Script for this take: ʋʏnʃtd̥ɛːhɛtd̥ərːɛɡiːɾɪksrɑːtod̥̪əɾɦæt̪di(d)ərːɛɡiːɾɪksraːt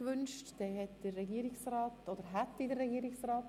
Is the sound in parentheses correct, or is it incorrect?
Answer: correct